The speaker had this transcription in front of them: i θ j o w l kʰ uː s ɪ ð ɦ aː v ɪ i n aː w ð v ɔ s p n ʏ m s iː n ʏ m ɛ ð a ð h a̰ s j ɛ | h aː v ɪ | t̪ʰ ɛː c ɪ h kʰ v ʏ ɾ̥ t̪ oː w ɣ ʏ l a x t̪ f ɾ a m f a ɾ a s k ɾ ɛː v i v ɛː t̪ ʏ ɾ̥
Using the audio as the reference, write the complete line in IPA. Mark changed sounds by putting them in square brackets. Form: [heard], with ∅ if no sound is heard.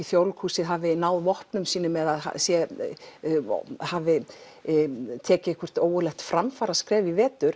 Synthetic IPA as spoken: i θ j o w l kʰ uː s ɪ ð ɦ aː v ɪ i n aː w ð v ɔ [h] p n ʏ m s iː n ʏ m ɛ ð a ð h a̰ s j ɛ | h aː v ɪ | t̪ʰ ɛː c ɪ h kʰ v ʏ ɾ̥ t̪ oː w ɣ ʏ l [ɛ] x t̪ f ɾ a m f a ɾ a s k ɾ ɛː v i v ɛː t̪ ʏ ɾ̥